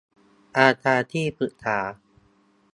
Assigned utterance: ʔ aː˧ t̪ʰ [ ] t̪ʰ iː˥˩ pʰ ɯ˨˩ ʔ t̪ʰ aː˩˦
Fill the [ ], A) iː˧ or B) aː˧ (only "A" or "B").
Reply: B